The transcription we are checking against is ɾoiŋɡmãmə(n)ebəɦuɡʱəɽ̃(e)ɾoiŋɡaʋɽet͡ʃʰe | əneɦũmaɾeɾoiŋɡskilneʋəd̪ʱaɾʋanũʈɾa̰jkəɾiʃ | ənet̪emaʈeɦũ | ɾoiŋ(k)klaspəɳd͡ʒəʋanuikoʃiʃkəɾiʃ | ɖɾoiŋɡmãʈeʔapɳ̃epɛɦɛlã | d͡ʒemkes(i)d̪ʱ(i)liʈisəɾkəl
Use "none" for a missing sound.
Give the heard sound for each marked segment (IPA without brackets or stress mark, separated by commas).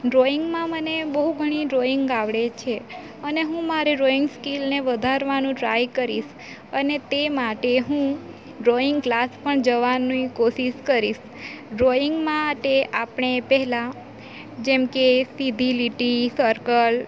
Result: n, i, ɡ, i, i